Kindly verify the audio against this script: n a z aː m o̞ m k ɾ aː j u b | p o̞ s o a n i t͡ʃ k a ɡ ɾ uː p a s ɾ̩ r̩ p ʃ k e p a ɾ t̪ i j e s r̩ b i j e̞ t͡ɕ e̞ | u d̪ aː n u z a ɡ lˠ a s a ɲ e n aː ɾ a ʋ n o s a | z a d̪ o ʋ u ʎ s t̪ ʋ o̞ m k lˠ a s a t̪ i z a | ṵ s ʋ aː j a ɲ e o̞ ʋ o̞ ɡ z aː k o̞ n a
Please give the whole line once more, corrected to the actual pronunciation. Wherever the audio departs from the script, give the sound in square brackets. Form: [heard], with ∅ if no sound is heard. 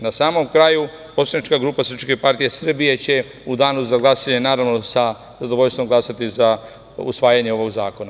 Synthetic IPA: n a [s] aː m o̞ m k ɾ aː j u [∅] | p o̞ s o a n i t͡ʃ k a ɡ ɾ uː p a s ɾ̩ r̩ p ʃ k e p a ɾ t̪ i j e s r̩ b i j e̞ t͡ɕ e̞ | u d̪ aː n u z a ɡ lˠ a s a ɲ e n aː ɾ a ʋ n o s a | z a d̪ o ʋ [o] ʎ s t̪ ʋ o̞ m [ɡ] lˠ a s a t̪ i z a | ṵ s ʋ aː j a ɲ e o̞ ʋ o̞ ɡ z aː k o̞ n a